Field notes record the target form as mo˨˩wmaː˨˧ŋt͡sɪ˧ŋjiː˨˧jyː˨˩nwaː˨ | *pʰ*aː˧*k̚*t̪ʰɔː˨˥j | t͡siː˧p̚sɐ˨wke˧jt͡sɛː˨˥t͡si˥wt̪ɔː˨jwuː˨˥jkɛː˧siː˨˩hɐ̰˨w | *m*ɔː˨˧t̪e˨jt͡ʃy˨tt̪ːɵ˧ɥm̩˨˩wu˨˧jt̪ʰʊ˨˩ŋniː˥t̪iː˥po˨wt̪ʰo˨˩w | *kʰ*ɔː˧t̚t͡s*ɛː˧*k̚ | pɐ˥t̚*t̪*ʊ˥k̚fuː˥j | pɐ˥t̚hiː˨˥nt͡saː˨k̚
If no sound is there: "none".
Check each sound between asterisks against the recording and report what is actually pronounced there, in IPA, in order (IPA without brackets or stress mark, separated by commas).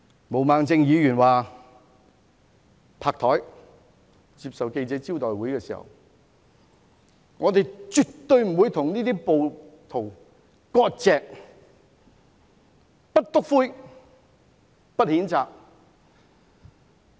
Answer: pʰ, k̚, ŋ, k, ɛː˧, t̪